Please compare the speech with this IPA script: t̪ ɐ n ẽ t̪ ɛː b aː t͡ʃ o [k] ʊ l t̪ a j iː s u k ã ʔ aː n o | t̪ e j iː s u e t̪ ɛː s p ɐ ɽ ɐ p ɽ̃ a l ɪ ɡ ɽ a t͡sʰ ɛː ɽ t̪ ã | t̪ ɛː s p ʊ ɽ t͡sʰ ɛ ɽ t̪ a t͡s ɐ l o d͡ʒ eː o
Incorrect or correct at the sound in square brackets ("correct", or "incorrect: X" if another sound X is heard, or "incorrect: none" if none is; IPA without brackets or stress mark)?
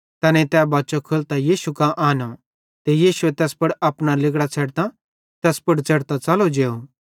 incorrect: kʰ